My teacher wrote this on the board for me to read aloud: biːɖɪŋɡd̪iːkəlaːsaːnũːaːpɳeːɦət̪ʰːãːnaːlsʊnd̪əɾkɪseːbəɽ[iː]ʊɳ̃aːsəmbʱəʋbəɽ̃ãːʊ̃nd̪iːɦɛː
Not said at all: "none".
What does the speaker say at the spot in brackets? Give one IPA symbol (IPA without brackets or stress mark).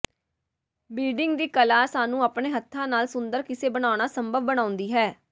aː